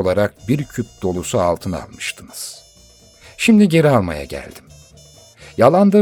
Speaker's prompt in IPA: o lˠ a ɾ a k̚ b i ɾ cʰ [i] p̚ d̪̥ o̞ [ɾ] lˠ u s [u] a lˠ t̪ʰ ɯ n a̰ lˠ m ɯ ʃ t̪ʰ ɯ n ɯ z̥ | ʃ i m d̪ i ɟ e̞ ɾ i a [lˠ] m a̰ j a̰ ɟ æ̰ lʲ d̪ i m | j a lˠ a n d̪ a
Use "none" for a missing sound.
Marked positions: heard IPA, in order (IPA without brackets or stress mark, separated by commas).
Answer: y, none, u, lˠ